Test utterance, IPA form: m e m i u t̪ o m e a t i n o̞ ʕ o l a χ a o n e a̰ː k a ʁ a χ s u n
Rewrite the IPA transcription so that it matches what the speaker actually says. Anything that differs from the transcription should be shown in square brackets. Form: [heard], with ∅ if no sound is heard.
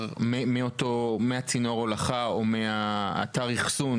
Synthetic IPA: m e m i [o] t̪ o m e a [t͡s] i n o̞ [ʁ] o l a χ a o [m] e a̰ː [t] a ʁ [i] χ s u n